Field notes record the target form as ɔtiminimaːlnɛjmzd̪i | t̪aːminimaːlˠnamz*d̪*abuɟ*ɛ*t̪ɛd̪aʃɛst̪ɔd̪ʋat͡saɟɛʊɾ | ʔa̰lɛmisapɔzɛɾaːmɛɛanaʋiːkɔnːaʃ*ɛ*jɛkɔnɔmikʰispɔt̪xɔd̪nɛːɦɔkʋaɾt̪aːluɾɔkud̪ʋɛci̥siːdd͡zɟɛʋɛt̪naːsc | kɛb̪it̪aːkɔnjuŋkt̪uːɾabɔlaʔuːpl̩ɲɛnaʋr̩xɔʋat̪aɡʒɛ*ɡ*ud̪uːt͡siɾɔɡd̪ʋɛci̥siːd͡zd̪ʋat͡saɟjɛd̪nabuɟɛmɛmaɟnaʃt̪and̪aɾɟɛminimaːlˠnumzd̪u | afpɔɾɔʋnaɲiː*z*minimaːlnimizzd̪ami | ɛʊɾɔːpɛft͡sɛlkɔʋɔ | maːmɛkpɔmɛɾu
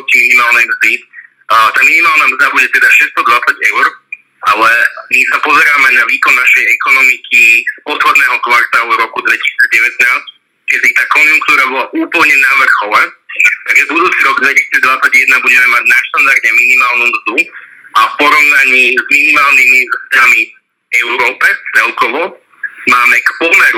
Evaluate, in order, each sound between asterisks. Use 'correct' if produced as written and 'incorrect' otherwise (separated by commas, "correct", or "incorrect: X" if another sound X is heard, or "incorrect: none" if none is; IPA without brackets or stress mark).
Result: correct, correct, correct, incorrect: b, correct